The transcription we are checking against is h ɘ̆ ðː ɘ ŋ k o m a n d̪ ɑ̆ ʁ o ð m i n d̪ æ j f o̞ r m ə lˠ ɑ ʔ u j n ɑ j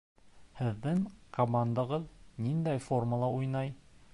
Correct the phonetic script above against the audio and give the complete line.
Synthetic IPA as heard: h ɘ̆ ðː ɘ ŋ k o m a n d̪ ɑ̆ ʁ ɤ ð n i n d̪ æ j f o̞ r m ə lˠ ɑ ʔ u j n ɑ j